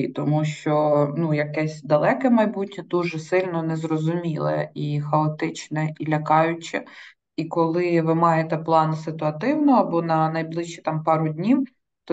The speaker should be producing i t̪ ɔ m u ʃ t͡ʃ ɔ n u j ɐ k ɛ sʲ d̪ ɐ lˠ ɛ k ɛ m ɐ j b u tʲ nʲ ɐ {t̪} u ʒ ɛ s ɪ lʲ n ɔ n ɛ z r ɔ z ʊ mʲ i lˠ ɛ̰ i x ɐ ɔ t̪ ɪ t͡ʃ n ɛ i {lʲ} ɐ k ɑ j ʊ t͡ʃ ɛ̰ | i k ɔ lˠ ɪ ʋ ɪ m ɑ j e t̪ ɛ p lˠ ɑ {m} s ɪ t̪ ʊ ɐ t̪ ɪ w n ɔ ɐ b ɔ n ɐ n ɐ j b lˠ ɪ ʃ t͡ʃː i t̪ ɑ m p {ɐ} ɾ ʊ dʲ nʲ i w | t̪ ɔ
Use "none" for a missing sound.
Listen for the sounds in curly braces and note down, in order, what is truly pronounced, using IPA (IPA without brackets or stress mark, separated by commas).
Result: d̪, lʲ, n, ɑ